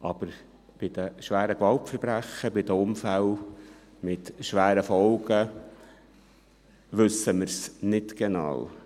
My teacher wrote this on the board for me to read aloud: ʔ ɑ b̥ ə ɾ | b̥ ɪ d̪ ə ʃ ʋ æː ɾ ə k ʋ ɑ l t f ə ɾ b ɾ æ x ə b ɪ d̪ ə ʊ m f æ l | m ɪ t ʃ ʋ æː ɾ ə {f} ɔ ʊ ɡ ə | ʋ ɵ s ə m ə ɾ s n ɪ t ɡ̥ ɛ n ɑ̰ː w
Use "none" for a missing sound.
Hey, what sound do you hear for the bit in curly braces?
f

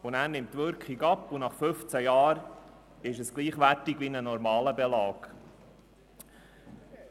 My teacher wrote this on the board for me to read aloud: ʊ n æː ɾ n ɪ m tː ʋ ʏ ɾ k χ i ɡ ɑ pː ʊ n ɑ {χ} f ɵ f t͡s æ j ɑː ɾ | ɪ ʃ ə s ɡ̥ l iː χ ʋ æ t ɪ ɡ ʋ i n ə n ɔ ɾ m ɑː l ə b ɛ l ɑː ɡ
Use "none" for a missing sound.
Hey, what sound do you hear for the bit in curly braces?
χ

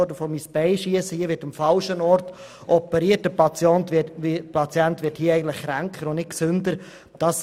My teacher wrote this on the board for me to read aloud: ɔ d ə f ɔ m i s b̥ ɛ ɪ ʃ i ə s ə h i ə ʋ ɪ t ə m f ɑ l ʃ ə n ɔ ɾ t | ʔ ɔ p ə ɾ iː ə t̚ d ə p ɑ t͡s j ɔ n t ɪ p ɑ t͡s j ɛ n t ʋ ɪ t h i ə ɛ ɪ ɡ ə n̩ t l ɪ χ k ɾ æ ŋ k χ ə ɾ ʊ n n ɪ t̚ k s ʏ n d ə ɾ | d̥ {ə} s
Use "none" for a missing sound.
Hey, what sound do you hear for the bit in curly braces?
ɑ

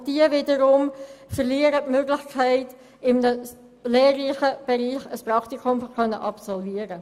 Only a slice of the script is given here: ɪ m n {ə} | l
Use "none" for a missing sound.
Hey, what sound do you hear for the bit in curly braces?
ə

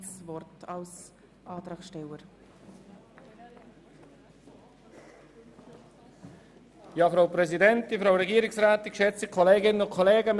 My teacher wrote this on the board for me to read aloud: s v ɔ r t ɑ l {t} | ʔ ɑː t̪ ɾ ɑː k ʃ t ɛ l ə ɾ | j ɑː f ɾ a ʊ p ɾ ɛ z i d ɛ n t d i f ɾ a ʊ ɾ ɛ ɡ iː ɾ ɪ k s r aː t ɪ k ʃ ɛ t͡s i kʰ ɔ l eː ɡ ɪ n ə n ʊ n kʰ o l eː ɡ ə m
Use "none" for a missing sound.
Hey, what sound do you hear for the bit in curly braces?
s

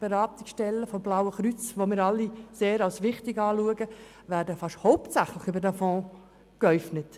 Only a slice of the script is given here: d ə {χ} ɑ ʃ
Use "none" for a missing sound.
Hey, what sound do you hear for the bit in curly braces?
f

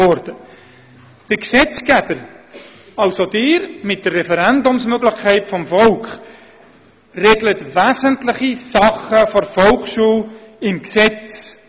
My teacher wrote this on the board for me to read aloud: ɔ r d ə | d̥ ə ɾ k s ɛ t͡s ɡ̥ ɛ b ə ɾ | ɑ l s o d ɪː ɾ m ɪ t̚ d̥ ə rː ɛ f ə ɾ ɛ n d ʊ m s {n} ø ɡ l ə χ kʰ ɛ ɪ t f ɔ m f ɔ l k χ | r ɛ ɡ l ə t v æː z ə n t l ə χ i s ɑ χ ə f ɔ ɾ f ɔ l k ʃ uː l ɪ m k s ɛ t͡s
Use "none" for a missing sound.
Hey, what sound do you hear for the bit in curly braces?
m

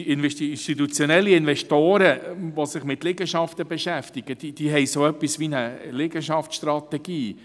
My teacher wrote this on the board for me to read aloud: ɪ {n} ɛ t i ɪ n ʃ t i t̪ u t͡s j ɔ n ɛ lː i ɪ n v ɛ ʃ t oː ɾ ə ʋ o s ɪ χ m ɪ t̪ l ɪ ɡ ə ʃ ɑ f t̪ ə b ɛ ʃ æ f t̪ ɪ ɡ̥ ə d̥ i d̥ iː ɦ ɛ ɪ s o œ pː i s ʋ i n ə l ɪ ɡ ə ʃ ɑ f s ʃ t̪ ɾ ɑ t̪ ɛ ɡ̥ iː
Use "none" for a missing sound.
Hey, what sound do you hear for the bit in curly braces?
n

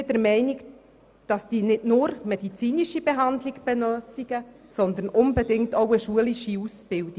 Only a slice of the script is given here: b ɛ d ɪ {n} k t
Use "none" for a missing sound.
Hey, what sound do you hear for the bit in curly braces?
ŋ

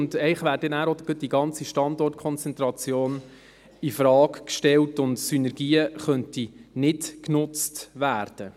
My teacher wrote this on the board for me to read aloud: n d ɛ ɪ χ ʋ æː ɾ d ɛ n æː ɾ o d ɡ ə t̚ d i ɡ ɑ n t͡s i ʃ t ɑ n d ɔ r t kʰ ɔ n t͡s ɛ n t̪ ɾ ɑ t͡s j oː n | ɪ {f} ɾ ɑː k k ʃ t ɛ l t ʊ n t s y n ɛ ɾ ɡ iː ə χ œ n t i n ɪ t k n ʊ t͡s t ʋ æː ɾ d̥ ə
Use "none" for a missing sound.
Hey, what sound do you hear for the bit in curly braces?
f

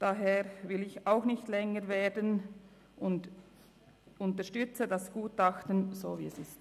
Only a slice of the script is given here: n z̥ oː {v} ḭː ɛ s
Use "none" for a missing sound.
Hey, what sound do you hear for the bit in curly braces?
v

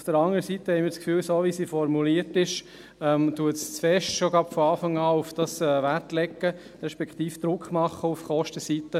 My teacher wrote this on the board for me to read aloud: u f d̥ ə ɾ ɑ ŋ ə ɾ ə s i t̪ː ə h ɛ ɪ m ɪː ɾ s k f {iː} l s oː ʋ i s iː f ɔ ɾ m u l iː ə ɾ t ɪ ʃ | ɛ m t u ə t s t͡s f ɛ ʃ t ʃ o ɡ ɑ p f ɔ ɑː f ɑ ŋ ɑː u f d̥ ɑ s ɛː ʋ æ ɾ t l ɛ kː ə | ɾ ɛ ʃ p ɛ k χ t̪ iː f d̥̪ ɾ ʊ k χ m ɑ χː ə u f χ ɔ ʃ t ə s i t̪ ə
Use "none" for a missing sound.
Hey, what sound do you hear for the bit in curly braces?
yː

